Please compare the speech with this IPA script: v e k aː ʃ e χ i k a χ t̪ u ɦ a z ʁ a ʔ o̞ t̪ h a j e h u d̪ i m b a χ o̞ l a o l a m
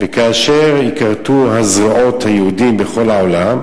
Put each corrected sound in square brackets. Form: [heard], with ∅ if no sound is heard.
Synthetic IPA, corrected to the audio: v e k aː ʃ e [ʁ] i k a [ʁ] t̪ u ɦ a z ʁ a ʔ o̞ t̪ h a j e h u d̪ i m b [e] χ o̞ l a o l a m